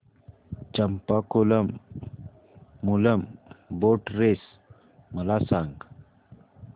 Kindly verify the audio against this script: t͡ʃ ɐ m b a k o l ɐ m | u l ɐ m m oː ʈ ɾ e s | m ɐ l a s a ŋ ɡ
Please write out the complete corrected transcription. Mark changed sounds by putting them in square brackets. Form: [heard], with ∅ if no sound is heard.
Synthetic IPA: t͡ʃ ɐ m [p] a k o l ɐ m | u l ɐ m [b] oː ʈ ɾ e s | m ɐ l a s a ŋ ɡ

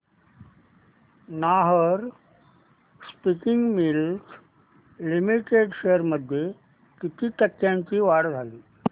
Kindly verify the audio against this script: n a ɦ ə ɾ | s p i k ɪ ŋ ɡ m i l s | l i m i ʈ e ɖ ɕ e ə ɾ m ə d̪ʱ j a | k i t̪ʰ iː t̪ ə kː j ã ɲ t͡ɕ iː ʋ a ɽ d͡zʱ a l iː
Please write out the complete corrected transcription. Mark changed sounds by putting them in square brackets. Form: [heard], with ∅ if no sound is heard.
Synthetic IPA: n a ɦ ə ɾ | s p i k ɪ ŋ ɡ m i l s | l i m i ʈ e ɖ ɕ e ə ɾ m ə d̪ʱ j [e] | k i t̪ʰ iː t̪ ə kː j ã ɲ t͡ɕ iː ʋ a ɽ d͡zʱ a l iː

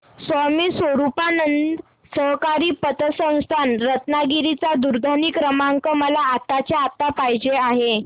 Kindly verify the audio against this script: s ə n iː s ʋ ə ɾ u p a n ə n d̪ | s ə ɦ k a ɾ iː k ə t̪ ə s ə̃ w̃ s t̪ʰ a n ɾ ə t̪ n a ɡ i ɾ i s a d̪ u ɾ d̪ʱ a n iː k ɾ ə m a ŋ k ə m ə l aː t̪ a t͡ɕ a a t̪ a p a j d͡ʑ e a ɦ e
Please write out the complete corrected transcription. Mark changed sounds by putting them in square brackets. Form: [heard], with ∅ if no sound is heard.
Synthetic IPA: s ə [m] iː s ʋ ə ɾ u p a n ə n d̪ | s ə ɦ k a ɾ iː [p] ə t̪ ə s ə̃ w̃ s t̪ʰ a n ɾ ə t̪ n a ɡ i ɾ i [t͡s] a d̪ u ɾ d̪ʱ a n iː k ɾ ə m a ŋ k ə m ə l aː t̪ a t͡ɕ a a t̪ a p a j d͡ʑ e a ɦ e

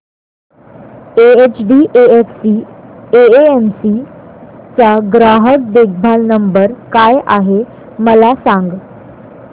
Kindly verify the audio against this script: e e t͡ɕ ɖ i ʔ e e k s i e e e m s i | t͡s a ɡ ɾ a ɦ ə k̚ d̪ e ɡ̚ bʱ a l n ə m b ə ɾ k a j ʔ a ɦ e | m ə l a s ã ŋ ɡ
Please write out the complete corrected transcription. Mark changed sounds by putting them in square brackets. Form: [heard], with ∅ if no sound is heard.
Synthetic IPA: e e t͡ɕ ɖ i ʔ e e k s i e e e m s i | t͡s a ɡ ɾ a ɦ ə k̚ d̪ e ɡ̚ bʱ a l n ə m b ə ɾ k a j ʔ a ɦ e | m ə l a s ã ŋ ɡ

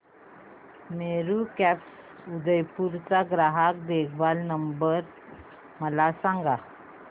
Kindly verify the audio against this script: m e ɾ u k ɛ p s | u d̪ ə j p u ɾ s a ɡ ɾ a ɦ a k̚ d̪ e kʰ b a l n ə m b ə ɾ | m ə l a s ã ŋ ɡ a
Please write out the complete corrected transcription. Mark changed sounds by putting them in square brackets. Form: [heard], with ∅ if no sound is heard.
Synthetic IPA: m e ɾ u k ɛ p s | u d̪ ə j p u ɾ [t͡s] a ɡ ɾ a ɦ a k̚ d̪ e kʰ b a l n ə m b ə ɾ | m ə l a s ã ŋ ɡ a

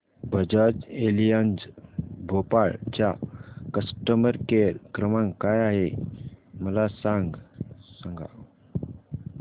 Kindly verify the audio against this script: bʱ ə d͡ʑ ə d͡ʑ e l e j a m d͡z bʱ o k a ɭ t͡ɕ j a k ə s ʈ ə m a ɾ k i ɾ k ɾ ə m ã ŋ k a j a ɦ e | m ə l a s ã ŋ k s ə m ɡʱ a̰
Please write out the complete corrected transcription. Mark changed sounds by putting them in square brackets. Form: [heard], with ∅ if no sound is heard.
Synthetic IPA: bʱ ə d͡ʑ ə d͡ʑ e l [i] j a [n] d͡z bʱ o [p] a ɭ t͡ɕ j a k ə s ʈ ə m [ə] ɾ k [e] ɾ k ɾ ə m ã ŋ k a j a ɦ e | m ə l a s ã ŋ [ɡ] s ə [ŋ] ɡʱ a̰

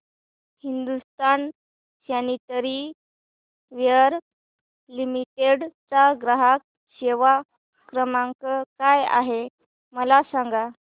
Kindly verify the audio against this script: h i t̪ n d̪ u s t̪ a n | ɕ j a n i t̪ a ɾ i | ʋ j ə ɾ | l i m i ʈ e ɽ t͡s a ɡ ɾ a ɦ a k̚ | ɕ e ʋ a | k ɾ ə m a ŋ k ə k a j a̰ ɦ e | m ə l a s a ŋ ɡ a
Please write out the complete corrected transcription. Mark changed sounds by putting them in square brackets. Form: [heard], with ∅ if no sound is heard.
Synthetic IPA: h i [∅] n d̪ u s t̪ a n | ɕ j a n i t̪ [ə] ɾ i | ʋ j ə ɾ | l i m i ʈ e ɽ t͡s a ɡ ɾ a ɦ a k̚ | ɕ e ʋ a | k ɾ ə m a ŋ k ə k a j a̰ ɦ e | m ə l a s a ŋ ɡ a

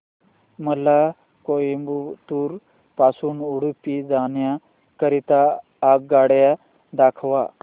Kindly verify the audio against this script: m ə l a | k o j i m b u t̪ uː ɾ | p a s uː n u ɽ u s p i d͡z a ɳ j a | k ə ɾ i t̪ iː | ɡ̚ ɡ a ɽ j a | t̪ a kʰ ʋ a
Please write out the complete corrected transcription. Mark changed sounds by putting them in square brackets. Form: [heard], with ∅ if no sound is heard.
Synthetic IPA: m ə l a | k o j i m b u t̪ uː ɾ | p a s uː n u ɽ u [∅] p i d͡z a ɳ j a | k ə ɾ i t̪ [aː] | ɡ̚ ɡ a ɽ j a | [d̪] a kʰ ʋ a

